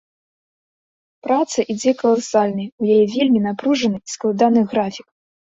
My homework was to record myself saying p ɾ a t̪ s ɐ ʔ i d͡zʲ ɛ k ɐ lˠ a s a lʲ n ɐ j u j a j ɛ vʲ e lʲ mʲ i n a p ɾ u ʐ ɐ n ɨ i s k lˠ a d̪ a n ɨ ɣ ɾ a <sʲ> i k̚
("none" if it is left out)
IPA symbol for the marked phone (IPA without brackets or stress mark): fʲ